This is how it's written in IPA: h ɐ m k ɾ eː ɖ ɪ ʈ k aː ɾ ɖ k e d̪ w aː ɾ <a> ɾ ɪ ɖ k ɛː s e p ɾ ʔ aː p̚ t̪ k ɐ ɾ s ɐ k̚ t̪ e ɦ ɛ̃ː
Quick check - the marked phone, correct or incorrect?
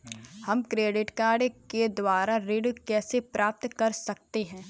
correct